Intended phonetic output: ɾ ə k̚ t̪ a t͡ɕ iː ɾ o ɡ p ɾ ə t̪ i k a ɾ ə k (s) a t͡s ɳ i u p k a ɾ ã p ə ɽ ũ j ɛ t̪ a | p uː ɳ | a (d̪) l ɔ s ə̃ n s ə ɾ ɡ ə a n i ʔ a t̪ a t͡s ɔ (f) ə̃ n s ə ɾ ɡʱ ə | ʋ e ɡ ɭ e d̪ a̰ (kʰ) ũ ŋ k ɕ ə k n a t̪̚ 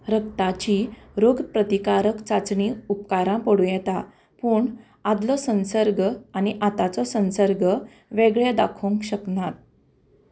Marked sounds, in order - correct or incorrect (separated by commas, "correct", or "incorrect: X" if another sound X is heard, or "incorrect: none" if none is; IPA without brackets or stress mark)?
incorrect: t͡s, correct, incorrect: s, correct